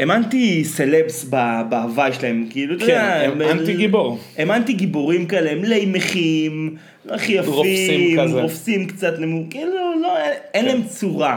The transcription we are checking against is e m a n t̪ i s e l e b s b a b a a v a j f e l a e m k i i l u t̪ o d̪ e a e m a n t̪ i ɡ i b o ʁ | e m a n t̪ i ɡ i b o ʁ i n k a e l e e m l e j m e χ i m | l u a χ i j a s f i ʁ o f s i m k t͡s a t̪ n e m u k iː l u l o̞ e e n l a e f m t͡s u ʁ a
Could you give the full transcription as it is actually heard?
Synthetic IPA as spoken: e m a n t̪ i s e l e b s b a b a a v a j ʃ e l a e m k i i l u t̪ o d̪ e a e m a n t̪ i ɡ i b o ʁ | e m a n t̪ i ɡ i b o ʁ i m k a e l e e m l e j m e χ i m | l o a χ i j a f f i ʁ o f s i m k t͡s a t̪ n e m u k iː l u l o̞ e e n l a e m t͡s u ʁ a